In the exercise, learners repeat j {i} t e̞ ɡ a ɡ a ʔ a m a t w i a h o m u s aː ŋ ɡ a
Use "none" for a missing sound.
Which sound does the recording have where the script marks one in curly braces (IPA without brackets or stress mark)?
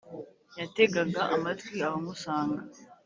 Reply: a